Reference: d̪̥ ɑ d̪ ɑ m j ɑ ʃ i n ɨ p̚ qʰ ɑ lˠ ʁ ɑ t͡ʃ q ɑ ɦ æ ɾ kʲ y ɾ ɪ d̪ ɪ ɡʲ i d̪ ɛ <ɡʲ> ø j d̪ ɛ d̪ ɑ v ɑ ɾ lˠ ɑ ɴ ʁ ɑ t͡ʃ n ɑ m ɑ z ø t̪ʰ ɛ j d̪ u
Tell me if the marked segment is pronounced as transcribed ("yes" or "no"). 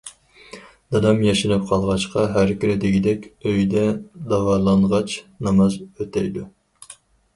no